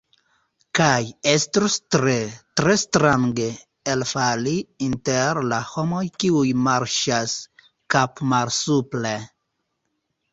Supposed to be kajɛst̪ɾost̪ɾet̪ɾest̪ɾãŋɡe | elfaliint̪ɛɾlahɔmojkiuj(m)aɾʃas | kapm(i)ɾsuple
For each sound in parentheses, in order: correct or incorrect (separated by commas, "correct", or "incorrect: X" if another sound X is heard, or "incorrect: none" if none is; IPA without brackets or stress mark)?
correct, incorrect: a